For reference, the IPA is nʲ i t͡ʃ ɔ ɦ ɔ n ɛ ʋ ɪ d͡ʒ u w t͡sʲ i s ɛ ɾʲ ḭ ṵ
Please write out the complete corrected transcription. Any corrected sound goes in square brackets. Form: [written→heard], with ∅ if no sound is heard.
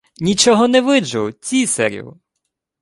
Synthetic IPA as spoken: nʲ i t͡ʃ ɔ ɦ ɔ n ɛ ʋ ɪ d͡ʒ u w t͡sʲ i s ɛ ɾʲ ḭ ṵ